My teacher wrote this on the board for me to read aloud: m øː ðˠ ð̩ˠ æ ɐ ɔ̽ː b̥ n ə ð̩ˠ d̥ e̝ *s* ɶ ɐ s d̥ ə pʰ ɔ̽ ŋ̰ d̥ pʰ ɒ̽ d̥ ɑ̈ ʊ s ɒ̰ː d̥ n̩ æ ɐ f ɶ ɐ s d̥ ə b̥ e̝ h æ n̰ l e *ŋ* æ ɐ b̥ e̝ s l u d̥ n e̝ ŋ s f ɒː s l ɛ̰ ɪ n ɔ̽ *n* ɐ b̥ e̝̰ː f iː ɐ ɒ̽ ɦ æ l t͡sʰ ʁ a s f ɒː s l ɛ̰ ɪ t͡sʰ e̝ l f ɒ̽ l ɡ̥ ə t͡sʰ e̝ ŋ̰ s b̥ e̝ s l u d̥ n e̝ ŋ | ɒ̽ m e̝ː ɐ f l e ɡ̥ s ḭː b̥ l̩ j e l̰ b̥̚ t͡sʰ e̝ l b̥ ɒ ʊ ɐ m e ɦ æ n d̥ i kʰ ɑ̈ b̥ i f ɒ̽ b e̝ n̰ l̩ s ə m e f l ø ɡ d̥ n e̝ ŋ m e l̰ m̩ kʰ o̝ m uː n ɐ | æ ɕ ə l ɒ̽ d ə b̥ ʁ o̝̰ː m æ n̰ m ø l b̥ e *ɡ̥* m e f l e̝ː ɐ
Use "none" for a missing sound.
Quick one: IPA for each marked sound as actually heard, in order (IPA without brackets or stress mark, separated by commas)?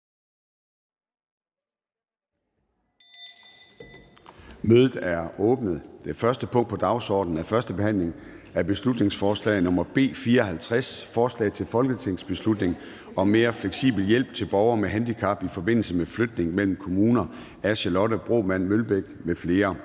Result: f, ŋ, m, ɡ̥